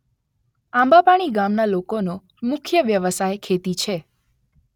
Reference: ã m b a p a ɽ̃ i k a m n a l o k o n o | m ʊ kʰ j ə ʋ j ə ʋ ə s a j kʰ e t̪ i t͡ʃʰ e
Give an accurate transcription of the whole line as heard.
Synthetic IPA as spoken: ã m b a p a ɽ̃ i ɡ a m n a l o k o n o | m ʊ kʰ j ə ʋ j ə ʋ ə s a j kʰ e t̪ i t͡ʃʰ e